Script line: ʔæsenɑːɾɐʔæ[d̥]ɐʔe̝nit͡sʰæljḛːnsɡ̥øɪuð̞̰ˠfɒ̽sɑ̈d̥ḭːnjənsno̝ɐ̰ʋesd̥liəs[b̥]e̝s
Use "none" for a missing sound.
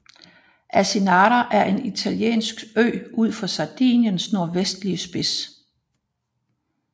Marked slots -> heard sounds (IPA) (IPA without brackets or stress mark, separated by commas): none, b̥